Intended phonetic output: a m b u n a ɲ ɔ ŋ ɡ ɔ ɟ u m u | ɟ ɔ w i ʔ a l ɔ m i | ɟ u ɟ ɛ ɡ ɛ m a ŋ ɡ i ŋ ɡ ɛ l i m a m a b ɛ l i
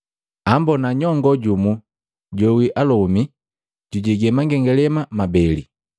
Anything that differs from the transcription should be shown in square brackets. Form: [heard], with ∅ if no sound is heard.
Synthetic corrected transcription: a m b [ɔ] n a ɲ ɔ ŋ ɡ ɔ ɟ u m u | ɟ ɔ w i ʔ a l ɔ m i | ɟ u ɟ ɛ ɡ ɛ m a ŋ ɡ [ɛ] ŋ ɡ ɛ l [ɛ] m a m a b ɛ l i